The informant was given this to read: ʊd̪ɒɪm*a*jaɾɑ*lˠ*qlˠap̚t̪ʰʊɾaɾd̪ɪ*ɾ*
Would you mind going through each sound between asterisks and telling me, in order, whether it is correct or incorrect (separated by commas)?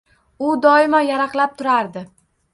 correct, incorrect, incorrect